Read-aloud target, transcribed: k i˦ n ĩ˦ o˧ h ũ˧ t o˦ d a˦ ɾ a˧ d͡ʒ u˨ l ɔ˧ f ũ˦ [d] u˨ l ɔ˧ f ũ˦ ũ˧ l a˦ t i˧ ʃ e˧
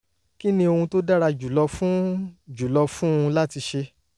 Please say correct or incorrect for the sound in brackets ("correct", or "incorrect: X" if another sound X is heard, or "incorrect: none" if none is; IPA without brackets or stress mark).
incorrect: d͡ʒ